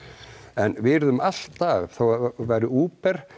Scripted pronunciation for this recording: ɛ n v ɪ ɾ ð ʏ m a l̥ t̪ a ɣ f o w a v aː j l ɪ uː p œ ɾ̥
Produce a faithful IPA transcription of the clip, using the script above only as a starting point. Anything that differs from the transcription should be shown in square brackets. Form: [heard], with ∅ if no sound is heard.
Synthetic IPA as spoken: ɛ n v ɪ ɾ ð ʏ m a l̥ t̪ a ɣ [θ] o w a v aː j [ɾ] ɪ uː p [ɛ] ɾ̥